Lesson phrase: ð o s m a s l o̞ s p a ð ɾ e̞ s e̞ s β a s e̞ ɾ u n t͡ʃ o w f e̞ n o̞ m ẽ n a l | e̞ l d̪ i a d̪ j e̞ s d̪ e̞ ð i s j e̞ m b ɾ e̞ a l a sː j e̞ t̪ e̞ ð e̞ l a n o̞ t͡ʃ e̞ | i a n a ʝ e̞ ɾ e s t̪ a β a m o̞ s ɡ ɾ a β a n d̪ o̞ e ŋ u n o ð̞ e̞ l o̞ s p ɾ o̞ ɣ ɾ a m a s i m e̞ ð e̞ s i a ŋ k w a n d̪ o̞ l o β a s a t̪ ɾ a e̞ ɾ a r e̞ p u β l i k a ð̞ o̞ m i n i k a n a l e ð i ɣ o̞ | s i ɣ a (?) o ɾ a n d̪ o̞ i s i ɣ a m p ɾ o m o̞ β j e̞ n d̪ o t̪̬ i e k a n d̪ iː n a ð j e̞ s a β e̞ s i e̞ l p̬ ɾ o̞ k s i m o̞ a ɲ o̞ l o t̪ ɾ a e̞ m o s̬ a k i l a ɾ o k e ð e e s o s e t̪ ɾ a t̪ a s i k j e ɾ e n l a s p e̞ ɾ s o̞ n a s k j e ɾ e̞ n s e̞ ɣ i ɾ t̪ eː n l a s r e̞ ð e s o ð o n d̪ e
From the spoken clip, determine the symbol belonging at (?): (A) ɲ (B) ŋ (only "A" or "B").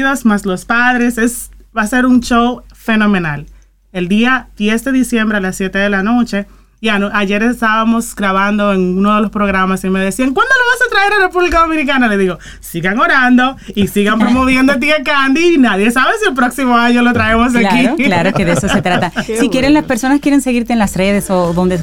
B